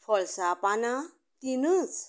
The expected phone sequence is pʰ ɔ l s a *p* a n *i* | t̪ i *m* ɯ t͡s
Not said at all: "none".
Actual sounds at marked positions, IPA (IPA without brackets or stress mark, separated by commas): p, a, n